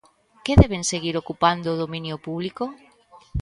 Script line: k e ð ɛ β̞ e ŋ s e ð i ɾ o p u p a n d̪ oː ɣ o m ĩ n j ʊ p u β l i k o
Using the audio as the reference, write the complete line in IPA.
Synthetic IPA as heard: k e ð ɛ β̞ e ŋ s e ɣ i ɾ o k u p a n d̪ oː ð o m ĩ n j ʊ p u β l i k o